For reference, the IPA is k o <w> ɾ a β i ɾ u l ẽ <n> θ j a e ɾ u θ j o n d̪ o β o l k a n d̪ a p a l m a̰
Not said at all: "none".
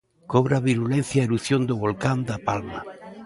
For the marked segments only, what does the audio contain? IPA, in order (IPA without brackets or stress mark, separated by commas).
β, n